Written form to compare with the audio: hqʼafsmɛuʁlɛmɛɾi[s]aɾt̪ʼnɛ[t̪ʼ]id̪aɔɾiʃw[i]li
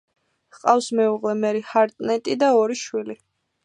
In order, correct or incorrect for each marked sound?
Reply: incorrect: h, correct, correct

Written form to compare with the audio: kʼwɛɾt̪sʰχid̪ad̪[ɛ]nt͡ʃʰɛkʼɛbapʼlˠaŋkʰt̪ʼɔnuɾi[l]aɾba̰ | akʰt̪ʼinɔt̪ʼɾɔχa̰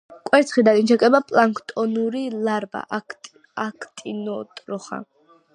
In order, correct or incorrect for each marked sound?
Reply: incorrect: i, correct

